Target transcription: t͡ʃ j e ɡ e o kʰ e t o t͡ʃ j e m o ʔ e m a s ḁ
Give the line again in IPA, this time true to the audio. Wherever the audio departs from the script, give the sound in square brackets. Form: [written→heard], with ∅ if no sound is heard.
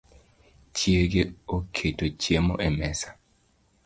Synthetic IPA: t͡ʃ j e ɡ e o kʰ e t o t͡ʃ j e m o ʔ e m [a→ɛ] s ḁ